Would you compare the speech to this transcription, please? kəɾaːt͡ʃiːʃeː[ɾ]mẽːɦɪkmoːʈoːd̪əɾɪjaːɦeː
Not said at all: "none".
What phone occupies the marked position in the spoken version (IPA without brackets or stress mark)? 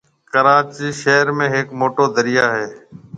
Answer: ɾ